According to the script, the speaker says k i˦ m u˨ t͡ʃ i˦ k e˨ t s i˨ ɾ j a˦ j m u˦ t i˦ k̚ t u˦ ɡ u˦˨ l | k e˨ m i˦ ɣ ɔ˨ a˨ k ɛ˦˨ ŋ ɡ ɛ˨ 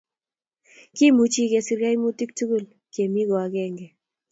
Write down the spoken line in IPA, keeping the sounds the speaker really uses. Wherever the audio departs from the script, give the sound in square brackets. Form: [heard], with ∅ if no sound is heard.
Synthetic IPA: k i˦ m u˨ t͡ʃ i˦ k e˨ [∅] s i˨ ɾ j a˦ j m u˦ t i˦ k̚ t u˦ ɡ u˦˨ l | k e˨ m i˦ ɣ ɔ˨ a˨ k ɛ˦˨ ŋ ɡ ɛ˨